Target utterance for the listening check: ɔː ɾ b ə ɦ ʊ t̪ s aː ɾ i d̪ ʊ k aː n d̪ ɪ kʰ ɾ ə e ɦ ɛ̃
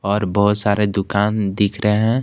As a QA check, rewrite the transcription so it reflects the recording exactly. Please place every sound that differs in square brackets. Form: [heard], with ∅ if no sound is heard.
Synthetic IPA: ɔː ɾ b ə ɦ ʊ t̪ s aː ɾ [e] d̪ ʊ k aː n d̪ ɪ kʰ ɾ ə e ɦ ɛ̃